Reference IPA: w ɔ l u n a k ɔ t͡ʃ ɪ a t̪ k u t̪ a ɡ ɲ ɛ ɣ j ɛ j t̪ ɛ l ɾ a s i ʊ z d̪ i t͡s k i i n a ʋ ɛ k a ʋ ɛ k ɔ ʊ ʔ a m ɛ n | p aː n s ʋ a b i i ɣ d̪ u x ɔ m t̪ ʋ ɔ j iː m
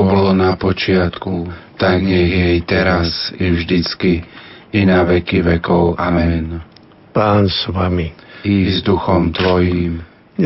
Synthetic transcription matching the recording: b ɔ l ɔ n a p ɔ t͡ʃ ɪ a t̪ k u t̪ a ɡ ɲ ɛ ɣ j ɛ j t̪ ɛ ɾ a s i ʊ ʒ d̪ i t͡s k i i n a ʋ ɛ k i ʋ ɛ k ɔ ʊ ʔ a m ɛ n | p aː n s ʋ a m i i z d̪ u x ɔ m t̪ ʋ ɔ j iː m